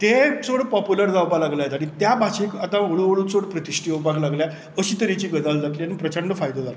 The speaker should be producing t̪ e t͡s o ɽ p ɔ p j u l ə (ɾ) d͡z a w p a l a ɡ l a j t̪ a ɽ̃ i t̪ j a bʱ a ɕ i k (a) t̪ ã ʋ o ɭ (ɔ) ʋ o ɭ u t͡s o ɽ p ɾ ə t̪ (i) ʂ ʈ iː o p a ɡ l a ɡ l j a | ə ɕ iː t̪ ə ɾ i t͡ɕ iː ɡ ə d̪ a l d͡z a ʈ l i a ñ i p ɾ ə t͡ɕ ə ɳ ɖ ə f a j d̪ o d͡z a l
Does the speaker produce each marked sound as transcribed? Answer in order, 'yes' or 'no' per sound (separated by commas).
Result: yes, yes, no, yes